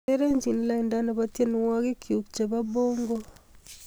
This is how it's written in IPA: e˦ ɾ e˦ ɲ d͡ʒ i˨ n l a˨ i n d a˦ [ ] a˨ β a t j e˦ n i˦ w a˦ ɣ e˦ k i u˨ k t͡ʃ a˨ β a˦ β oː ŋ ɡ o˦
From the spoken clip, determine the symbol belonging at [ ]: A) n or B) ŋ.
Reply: A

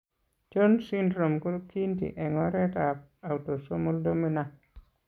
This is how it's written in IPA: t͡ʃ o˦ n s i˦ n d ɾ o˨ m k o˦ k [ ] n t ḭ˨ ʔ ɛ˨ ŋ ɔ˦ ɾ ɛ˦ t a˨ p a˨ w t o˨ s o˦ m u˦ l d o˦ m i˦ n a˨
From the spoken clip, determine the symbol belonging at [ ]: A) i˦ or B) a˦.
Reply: A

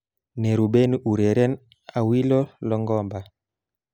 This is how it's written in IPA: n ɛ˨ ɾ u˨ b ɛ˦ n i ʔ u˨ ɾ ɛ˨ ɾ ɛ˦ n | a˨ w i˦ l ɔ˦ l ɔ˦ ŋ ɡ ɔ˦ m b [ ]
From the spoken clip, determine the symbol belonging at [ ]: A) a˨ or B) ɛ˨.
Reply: A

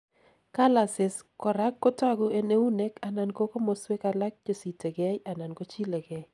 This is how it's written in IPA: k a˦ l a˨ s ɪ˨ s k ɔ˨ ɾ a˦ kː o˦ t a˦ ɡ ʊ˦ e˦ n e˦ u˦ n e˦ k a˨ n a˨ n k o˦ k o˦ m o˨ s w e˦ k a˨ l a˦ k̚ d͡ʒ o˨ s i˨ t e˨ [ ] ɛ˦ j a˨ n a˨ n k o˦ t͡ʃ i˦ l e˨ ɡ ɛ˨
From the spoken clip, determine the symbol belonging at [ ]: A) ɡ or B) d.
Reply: A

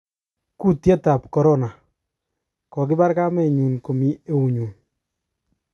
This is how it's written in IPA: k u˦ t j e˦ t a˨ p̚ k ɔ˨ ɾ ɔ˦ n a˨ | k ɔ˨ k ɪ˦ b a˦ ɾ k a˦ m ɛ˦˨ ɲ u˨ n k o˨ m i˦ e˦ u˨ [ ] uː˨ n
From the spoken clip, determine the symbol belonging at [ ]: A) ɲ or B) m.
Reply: A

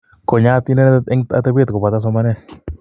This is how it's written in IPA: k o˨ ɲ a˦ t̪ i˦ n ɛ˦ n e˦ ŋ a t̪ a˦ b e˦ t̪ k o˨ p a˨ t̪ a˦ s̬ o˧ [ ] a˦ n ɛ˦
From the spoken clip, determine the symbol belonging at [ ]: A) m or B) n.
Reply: A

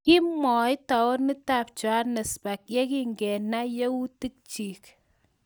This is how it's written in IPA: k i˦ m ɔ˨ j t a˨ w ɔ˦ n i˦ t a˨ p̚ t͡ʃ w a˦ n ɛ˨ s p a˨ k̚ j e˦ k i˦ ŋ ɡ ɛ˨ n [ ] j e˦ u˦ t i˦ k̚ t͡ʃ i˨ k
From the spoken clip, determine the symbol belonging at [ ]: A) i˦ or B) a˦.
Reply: B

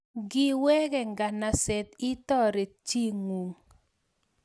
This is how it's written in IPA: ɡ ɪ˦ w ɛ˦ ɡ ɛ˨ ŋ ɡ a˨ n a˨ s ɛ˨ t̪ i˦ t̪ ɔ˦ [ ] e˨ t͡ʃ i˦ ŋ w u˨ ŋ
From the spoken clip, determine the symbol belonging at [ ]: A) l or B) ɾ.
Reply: B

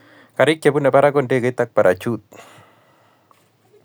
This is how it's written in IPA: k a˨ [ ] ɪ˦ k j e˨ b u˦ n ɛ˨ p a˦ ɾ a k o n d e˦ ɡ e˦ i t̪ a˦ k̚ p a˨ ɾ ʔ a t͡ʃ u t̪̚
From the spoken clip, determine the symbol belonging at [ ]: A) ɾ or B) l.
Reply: A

